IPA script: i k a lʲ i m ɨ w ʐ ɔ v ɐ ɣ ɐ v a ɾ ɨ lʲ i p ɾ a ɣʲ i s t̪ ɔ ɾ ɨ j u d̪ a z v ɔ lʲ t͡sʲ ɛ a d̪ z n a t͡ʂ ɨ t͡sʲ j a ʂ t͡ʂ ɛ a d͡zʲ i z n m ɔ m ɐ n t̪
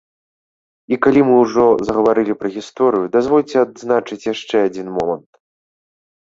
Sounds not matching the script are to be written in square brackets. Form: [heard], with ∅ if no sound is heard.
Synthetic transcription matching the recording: i k a lʲ i m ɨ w ʐ ɔ [z] ɐ ɣ ɐ v a ɾ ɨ lʲ i p ɾ [ɐ] ɣʲ i s t̪ ɔ ɾ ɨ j u d̪ a z v ɔ lʲ t͡sʲ ɛ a d̪ z n a t͡ʂ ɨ t͡sʲ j a ʂ t͡ʂ ɛ a d͡zʲ i [∅] n m ɔ m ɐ n t̪